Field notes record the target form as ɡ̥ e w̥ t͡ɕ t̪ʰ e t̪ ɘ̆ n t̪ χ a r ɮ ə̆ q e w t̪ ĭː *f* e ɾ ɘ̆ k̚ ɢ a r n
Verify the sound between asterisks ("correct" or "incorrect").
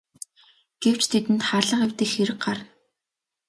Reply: incorrect